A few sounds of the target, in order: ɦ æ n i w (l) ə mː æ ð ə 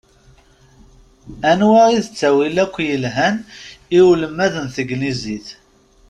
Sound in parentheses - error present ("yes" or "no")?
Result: no